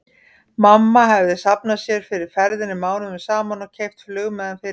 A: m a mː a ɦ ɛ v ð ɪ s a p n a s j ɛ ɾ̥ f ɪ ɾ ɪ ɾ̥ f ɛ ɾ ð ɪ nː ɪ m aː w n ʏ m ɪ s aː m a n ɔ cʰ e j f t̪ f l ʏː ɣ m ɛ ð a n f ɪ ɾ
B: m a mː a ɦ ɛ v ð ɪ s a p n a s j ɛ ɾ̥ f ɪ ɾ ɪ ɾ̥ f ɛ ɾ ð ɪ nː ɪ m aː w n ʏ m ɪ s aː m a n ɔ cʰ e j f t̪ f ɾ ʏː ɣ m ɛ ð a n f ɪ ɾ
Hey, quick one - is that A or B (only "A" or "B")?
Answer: A